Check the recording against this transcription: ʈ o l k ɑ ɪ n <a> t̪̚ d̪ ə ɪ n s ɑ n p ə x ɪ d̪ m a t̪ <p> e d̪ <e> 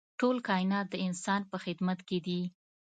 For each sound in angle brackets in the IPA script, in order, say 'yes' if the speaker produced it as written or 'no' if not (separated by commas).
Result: no, no, no